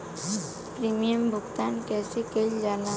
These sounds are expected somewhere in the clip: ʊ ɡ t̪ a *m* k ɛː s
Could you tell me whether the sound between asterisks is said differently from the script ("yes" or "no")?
yes